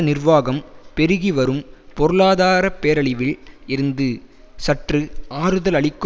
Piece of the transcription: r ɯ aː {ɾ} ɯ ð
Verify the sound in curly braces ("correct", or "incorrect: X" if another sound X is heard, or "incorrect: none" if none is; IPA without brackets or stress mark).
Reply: correct